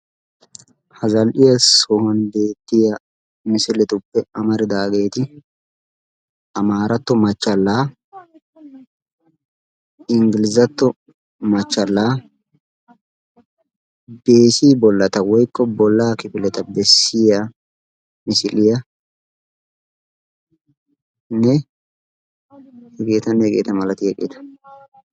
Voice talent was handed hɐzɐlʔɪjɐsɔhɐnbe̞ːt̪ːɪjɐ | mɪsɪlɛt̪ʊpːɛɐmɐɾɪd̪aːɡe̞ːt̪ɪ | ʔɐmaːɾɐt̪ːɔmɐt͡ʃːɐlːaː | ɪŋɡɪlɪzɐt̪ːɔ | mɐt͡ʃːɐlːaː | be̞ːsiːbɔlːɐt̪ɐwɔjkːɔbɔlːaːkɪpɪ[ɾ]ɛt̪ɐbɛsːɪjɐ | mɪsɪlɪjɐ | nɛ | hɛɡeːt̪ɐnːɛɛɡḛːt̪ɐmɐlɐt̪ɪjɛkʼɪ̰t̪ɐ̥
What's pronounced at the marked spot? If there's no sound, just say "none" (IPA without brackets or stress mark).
l